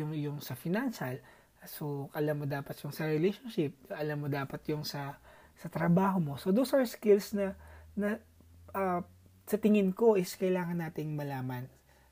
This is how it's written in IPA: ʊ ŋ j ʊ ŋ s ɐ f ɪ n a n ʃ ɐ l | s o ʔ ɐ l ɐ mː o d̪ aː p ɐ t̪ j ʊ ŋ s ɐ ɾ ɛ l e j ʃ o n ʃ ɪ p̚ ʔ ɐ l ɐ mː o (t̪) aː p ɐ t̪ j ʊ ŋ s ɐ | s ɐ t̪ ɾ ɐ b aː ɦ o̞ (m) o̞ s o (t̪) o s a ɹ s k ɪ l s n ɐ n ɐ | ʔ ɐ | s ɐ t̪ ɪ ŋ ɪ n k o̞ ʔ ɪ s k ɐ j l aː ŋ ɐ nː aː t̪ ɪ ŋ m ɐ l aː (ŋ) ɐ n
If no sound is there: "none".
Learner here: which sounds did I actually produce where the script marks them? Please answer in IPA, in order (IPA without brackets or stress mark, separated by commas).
d̪, m, d̪, m